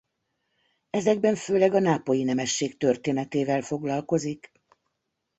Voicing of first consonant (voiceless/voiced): voiced